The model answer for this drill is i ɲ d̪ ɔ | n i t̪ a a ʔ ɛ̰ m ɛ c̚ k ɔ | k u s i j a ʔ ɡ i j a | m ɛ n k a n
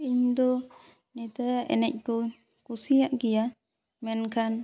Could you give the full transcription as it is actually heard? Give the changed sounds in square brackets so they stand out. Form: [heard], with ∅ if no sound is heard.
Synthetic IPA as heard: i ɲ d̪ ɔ | n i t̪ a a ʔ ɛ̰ [n] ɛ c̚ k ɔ | k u s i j a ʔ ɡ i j a | m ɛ n k a n